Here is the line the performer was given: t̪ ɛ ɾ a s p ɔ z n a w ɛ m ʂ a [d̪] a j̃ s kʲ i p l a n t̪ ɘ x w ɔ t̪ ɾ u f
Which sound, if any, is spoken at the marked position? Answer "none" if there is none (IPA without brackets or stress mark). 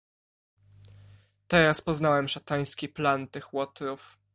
t̪